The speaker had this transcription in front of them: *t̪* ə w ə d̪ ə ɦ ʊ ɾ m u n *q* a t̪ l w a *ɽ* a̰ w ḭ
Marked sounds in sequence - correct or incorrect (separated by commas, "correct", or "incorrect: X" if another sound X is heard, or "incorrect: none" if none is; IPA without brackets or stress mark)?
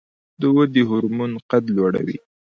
incorrect: d̪, correct, correct